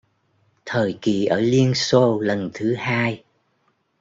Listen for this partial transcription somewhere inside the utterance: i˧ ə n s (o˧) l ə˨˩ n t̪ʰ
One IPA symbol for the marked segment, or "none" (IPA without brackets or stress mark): o˧